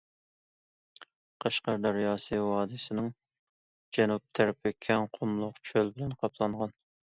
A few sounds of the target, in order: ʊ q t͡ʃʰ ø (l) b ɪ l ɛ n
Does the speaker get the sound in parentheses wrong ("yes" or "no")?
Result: no